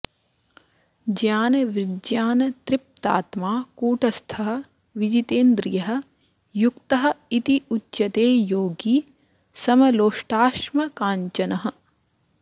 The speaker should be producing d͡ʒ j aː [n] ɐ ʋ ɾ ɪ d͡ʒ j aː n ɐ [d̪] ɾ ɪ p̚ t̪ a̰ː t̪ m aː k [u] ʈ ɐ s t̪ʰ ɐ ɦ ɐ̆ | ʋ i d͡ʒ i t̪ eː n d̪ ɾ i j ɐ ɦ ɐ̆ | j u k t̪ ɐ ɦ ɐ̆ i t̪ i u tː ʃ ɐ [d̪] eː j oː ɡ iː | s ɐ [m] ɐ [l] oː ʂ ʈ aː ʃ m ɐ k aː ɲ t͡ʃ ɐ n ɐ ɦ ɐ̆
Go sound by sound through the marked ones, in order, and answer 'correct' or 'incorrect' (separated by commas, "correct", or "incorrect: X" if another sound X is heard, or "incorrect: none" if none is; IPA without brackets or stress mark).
correct, incorrect: t̪, incorrect: uː, incorrect: t̪, correct, correct